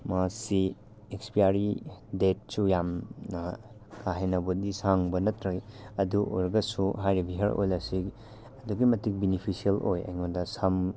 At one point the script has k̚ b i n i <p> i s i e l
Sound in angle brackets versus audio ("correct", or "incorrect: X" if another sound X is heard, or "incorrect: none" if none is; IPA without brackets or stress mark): incorrect: pʰ